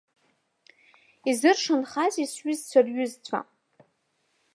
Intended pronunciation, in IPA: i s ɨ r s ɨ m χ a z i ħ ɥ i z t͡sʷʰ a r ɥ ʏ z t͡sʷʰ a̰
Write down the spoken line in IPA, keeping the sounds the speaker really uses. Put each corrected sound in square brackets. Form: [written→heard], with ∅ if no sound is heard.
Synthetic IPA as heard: i [s→z] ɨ r [s→ʂ] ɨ [m→n] χ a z i [ħ→s] ɥ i z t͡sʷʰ a r ɥ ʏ z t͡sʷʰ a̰